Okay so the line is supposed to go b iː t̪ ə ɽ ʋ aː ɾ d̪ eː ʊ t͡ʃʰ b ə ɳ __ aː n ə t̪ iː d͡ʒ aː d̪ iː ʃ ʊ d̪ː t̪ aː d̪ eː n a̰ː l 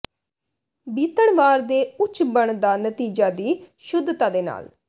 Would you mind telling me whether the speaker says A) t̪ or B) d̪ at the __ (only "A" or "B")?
B